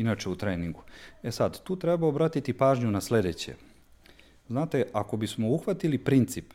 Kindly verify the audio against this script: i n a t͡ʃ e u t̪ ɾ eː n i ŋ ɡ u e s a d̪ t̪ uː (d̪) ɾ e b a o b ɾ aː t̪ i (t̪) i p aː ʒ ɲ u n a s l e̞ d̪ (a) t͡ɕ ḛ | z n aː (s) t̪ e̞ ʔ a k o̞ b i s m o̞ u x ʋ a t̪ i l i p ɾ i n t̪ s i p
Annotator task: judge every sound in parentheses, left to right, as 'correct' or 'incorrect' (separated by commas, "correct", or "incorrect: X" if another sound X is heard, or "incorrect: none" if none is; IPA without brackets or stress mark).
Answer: incorrect: t̪, correct, incorrect: e, incorrect: none